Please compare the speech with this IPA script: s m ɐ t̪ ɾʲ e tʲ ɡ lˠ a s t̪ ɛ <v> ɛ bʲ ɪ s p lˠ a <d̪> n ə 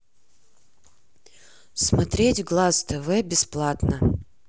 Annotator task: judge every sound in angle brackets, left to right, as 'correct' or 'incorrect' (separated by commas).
correct, incorrect